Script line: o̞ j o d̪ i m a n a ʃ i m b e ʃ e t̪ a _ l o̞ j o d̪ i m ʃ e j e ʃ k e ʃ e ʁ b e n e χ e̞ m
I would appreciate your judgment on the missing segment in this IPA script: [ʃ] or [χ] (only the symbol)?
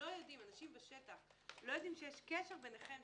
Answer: χ